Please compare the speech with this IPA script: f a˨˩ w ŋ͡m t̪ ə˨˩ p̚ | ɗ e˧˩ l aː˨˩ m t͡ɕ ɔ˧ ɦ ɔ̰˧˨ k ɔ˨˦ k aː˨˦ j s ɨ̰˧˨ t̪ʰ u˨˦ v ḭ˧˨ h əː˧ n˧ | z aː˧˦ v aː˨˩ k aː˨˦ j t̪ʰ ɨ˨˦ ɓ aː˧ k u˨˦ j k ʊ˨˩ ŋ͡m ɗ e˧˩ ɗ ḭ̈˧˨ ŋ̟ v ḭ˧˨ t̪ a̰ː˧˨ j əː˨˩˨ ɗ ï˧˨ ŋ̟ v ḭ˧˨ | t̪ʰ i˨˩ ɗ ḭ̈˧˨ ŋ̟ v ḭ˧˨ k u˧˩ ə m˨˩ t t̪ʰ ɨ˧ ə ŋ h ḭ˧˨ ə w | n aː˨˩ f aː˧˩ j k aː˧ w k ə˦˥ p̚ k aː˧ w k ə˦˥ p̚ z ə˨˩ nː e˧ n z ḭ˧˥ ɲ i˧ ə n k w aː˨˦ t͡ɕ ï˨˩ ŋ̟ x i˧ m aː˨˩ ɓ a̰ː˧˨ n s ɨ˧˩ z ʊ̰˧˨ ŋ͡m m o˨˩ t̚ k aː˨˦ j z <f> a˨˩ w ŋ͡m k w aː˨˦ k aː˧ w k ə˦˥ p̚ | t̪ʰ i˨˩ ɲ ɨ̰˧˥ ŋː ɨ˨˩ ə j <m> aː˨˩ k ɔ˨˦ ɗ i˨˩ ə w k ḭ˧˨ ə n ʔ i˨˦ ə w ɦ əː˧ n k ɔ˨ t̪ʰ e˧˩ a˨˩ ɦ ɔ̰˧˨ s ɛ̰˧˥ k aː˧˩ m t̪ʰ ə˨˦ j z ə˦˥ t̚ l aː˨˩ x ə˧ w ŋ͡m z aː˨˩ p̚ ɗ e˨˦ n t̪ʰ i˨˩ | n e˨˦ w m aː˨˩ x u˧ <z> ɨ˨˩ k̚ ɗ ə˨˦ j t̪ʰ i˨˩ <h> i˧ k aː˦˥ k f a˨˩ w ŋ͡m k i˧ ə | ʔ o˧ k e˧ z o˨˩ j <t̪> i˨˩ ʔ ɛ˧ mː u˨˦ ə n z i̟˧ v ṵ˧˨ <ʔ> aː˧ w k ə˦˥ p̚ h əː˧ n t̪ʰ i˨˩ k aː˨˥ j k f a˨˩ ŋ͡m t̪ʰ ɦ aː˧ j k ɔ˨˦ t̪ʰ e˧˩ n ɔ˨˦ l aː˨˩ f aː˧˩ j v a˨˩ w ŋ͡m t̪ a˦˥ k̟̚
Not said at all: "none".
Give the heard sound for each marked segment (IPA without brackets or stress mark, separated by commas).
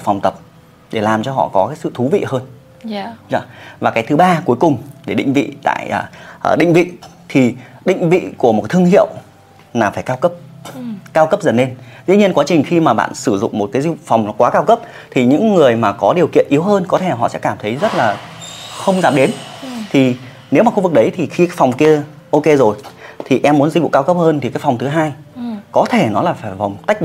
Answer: f, m, v, x, t̪ʰ, k